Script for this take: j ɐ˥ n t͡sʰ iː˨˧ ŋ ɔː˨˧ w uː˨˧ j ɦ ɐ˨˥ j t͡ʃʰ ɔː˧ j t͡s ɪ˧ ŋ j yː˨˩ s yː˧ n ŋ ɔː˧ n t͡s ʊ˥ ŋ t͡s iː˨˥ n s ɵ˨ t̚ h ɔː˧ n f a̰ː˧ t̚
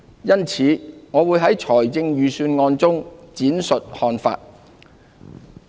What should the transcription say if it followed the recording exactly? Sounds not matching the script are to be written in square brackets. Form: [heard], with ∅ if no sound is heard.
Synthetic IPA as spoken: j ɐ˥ n t͡sʰ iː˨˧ ŋ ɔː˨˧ w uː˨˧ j ɦ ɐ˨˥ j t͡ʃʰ [ɔː˨˩] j t͡s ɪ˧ ŋ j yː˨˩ s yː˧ n ŋ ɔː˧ n t͡s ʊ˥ ŋ t͡s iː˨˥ n s ɵ˨ t̚ h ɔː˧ n f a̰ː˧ t̚